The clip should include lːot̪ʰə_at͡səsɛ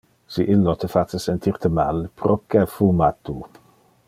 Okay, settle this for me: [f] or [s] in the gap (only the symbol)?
f